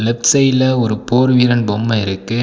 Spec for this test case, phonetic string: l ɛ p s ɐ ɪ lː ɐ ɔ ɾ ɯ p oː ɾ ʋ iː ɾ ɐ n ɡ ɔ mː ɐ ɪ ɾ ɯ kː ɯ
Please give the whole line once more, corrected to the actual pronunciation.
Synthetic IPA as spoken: l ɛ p s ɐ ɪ l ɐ ɔ ɾ ɯ p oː ɾ ʋ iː ɾ ɐ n b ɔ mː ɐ ɪ ɾ ɯ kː ɯ